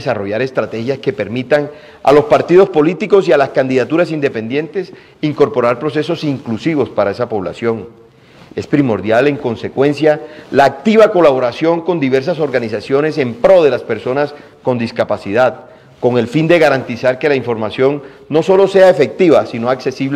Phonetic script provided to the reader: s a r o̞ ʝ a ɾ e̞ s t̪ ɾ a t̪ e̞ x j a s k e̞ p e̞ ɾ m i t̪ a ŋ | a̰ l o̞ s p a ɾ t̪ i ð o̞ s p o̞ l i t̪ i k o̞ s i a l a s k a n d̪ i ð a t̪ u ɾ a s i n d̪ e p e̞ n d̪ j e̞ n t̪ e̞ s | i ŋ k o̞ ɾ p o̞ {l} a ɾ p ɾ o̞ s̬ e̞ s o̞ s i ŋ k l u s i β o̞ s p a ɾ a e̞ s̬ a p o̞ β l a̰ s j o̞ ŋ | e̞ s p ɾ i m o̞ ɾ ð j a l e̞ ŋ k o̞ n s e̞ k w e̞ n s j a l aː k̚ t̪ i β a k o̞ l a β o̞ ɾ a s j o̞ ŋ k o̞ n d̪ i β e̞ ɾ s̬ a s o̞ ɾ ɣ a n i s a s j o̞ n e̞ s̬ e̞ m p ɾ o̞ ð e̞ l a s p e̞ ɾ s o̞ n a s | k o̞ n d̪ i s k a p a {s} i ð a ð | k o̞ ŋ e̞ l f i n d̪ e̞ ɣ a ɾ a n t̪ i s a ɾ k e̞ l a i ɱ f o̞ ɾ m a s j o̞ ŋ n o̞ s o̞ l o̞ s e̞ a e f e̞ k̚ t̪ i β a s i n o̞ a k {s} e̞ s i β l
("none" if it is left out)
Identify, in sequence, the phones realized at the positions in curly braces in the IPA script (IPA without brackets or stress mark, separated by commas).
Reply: ɾ, s, s